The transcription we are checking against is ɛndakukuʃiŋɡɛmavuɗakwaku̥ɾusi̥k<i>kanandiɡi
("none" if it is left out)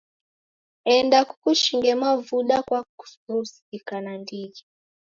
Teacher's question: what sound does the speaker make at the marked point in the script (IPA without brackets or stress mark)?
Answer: i